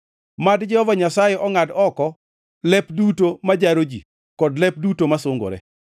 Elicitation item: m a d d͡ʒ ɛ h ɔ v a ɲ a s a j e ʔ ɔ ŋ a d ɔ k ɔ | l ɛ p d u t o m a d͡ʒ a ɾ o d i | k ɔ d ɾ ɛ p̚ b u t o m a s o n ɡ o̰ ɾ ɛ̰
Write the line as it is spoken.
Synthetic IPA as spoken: m a d d͡ʒ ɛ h ɔ v a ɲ a s a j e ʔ ɔ ŋ a d ɔ k ɔ | l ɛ p d u t o m a d͡ʒ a ɾ o d͡ʒ i | k ɔ d l ɛ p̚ d u t o m a s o ŋ ɡ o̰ ɾ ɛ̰

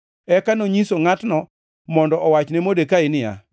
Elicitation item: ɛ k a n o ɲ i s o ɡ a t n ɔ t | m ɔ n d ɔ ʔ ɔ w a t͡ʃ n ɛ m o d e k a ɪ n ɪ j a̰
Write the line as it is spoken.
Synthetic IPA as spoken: ɛ k a n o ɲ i s o ŋ a t n ɔ | m ɔ n d ɔ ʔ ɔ w a t͡ʃ n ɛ m o d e k a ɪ n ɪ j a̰

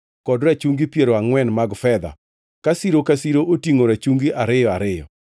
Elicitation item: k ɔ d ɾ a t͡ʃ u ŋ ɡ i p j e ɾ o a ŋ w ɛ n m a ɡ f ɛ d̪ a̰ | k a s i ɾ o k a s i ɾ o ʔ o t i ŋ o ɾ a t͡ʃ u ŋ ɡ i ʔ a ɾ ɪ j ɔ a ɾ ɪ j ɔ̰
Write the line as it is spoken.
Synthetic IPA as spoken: k ɔ d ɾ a t͡ʃ u ŋ ɡ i p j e ɾ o a ŋ w ɛ n m a ɡ f ɛ d̪ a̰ | k a s i ɾ o k a s i ɾ o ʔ o t i ŋ o ɾ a t͡ʃ u ŋ ɡ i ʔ a ɾ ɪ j ɔ a ɾ ɪ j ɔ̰

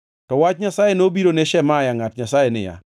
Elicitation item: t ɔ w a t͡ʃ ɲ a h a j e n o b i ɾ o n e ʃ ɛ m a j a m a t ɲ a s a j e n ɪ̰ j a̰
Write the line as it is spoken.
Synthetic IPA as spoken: t ɔ w a t͡ʃ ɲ a s a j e n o b i ɾ o n e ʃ ɛ m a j a ŋ a t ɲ a s a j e n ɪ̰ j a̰

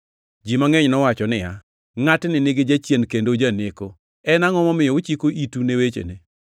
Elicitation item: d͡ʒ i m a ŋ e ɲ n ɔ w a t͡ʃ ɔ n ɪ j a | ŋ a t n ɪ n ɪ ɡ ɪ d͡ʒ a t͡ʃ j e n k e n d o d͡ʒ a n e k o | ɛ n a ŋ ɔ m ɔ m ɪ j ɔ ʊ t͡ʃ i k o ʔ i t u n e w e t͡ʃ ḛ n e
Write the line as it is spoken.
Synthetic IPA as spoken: d͡ʒ i m a ŋ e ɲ n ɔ w a t͡ʃ ɔ n ɪ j a | ŋ a t n ɪ n ɪ ɡ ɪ d͡ʒ a t͡ʃ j e n k e n d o d͡ʒ a n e k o | ɛ n a ŋ ɔ m ɔ m ɪ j ɔ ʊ t͡ʃ i k o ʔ i t u n e w e t͡ʃ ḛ n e

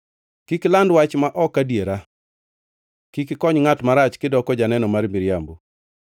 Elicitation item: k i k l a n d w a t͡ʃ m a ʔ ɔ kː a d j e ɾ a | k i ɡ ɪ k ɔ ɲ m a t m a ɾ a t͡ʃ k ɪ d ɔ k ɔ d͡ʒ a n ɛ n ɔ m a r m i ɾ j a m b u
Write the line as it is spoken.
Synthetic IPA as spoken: k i k l a n d w a t͡ʃ m a ʔ ɔ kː a d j e ɾ a | k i k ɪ k ɔ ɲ ŋ a t m a ɾ a t͡ʃ k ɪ d ɔ k ɔ d͡ʒ a n ɛ n ɔ m a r m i ɾ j a m b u

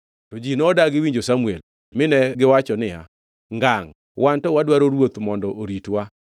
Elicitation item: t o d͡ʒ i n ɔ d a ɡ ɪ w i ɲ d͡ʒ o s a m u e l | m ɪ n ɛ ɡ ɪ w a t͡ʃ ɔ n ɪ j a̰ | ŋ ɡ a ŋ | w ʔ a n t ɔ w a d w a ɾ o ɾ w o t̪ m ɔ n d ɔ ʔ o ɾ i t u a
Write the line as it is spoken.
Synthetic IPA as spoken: t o d͡ʒ i n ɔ d a ɡ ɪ w i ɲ d͡ʒ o s a m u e l | m ɪ n ɛ ɡ ɪ w a t͡ʃ ɔ n ɪ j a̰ | ŋ ɡ a ŋ | w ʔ a n t ɔ w a d w a ɾ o ɾ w o t̪ m ɔ n d ɔ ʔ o ɾ i t w a

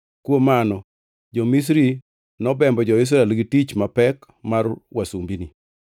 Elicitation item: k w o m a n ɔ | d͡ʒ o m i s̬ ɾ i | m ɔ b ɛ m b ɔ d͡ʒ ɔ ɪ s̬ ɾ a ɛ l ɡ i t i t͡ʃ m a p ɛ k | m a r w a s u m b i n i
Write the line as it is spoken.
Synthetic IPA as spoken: k w o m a n ɔ | d͡ʒ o m i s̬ ɾ i | n ɔ b ɛ m b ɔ d͡ʒ ɔ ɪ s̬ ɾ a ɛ l ɡ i t i t͡ʃ m a p ɛ k | m a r w a s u m b i n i

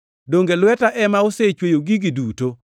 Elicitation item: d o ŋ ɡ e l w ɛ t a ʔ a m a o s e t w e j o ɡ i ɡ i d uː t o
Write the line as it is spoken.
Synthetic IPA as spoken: d o ŋ ɡ e l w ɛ t a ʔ ɛ m a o s e t͡ʃ w e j o ɡ i ɡ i d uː t o

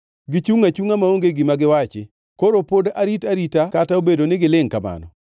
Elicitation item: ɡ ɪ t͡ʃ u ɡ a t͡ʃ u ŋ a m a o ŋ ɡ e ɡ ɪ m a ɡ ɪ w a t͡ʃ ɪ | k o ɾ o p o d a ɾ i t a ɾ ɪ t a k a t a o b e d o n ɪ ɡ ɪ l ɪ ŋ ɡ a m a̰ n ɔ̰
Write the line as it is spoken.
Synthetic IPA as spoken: ɡ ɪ t͡ʃ u ŋ a t͡ʃ u ŋ a m a o ŋ ɡ e ɡ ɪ m a ɡ ɪ w a t͡ʃ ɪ | k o ɾ o p o d a ɾ i t a ɾ i t a k a t a o b e d o n ɪ ɡ ɪ l ɪ ŋ k a m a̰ n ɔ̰

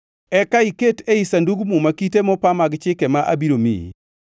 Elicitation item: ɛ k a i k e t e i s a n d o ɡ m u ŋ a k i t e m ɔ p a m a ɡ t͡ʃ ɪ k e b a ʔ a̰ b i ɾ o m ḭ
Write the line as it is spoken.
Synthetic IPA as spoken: ɛ k a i k e t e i s a n d u ɡ m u m a k i t e m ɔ p a m a ɡ t͡ʃ ɪ k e m a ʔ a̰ b i ɾ o m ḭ

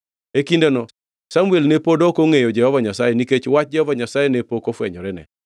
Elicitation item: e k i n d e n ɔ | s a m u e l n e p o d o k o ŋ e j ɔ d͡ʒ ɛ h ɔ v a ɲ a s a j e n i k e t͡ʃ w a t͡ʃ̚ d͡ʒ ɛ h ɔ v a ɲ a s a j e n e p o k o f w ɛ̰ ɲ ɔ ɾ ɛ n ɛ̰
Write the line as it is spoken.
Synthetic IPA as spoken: e k i n d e n ɔ | s a m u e l n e p o d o k o ŋ e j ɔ d͡ʒ ɛ h ɔ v a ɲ a s a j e n i k e t͡ʃ w a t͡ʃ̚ d͡ʒ ɛ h ɔ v a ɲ a s a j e n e p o k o f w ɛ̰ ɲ ɔ ɾ ɛ n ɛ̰

